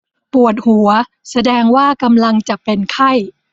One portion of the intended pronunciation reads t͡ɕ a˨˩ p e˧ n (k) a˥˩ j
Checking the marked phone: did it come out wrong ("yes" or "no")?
yes